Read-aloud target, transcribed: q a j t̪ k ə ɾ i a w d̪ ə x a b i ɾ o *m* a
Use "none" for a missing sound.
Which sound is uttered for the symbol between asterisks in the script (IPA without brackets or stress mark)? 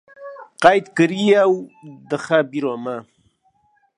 m